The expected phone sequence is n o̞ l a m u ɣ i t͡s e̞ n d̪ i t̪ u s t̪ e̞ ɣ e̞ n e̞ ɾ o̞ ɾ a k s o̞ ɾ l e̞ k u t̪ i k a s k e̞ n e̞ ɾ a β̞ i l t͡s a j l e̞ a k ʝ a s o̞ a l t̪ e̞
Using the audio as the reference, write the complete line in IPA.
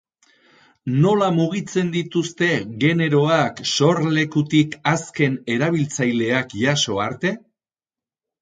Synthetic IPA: n o̞ l a m u ɣ i t͡s e̞ n d̪ i t̪ u s t̪ e̞ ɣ e̞ n e̞ ɾ o̞ a k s o̞ ɾ l e̞ k u t̪ i k a s k e̞ n e̞ ɾ a β̞ i l t͡s a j l e̞ a k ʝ a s o̞ a ɾ t̪ e̞